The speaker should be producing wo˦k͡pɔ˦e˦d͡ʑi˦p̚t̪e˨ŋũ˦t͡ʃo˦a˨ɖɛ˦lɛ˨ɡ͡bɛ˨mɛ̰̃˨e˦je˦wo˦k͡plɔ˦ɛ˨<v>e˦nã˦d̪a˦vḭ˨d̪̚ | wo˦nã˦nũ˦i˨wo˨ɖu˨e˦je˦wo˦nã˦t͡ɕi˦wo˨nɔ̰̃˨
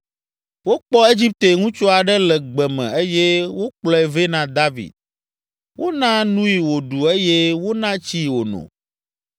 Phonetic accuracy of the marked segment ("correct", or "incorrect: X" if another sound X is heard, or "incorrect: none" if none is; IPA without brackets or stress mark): correct